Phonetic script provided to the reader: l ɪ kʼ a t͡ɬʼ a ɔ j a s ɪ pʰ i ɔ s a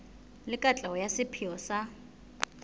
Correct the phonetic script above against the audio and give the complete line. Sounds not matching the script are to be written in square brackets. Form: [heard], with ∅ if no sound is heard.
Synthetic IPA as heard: l ɪ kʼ a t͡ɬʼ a ɔ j a s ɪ pʰ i ɔ s a